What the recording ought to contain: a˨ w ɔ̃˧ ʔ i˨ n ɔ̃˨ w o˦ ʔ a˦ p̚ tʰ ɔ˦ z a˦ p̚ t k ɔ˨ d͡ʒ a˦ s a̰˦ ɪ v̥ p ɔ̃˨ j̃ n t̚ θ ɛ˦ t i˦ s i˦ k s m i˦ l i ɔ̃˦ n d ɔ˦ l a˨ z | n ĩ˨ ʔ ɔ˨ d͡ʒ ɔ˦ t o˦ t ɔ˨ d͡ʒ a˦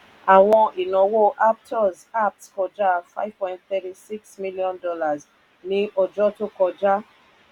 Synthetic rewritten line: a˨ w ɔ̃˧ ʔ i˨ n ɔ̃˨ w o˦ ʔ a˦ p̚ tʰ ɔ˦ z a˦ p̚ t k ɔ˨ d͡ʒ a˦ f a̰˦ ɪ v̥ p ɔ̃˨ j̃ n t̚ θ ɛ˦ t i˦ s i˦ k s m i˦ l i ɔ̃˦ n d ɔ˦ l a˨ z | n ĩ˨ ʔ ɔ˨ d͡ʒ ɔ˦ t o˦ k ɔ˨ d͡ʒ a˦